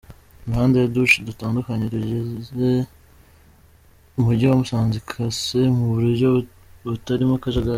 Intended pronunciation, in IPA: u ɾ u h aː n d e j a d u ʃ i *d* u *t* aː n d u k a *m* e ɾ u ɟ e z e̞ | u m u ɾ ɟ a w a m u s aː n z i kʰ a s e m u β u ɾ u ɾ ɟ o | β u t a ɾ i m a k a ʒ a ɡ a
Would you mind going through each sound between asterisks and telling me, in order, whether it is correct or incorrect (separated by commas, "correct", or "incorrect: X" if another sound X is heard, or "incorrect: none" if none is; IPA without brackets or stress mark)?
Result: correct, correct, incorrect: ɲ